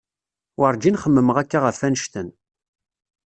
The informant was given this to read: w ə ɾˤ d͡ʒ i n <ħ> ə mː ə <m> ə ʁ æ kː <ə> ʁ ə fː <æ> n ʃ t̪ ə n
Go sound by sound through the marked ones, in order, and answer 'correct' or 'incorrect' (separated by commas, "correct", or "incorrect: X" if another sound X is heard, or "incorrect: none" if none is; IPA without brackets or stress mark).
incorrect: χ, correct, incorrect: a, correct